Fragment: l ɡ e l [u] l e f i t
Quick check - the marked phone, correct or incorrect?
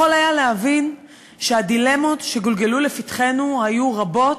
correct